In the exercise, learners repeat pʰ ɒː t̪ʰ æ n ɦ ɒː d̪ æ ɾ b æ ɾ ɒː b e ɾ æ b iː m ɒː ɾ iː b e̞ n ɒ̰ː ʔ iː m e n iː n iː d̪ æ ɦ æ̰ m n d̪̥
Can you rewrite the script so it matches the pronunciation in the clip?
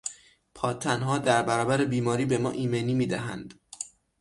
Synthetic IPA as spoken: pʰ ɒː t̪ʰ æ n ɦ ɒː d̪ æ ɾ b æ ɾ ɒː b æ ɾ e b iː m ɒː ɾ iː b e̞ m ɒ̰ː ʔ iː m e n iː m iː d̪ æ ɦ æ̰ n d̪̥